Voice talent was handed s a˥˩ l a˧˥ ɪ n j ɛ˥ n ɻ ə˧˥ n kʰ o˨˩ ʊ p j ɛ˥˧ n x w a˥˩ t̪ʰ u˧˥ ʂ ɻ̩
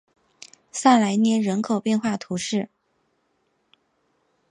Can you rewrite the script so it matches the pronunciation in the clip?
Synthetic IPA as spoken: s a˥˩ l a˧˥ ɪ n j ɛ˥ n ɻ ə˧˥ n kʰ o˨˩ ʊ p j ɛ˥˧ n x w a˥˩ t̪ʰ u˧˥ ʂ ɻ̩